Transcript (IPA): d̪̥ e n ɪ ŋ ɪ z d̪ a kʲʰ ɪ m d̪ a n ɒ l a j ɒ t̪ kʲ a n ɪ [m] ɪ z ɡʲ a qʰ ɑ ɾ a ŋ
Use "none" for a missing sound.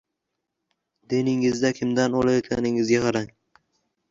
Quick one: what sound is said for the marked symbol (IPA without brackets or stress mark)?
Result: ŋ